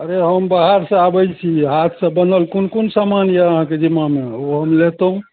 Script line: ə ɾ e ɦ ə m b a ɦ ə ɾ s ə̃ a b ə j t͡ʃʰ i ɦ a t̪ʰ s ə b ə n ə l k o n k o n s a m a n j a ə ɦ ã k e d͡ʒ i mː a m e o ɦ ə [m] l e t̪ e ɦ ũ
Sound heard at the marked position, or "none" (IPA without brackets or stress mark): m